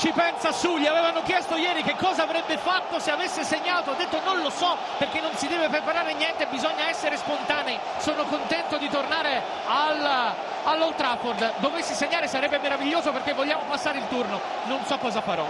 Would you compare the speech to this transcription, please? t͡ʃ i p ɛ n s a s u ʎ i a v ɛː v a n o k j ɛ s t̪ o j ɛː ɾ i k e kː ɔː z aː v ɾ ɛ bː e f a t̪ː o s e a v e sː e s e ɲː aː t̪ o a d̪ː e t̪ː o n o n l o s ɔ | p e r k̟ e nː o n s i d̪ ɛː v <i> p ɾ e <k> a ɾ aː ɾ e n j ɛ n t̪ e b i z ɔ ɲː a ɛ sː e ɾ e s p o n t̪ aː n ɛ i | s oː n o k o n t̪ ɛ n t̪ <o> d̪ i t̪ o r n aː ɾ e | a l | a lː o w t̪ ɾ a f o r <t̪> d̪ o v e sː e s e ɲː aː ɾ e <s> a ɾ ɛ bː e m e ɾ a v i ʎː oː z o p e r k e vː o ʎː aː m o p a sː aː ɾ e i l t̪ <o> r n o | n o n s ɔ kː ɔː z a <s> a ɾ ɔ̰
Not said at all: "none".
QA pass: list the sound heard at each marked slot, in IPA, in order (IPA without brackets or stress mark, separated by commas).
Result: e, p, o, d̪, s, u, f